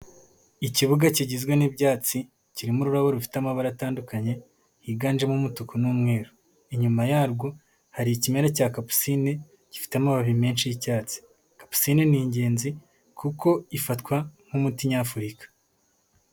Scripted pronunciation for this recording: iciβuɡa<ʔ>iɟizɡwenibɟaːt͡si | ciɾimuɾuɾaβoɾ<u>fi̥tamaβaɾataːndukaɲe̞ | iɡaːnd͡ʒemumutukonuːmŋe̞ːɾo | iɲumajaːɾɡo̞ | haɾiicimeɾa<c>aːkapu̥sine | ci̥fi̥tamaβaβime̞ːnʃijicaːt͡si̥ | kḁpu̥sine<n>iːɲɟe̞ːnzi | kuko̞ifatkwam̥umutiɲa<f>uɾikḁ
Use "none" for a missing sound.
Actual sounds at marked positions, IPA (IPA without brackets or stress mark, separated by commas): c, u, c, n, f